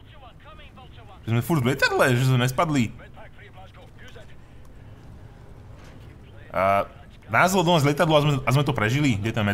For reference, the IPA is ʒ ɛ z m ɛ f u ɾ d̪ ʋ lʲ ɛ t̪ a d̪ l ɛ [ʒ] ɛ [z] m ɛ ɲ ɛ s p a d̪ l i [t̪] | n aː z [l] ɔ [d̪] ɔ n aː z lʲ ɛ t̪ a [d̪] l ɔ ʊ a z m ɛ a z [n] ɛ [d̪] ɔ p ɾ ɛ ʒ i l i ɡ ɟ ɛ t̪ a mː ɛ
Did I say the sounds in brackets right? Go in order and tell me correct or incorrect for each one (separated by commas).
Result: correct, correct, incorrect, correct, correct, correct, incorrect, incorrect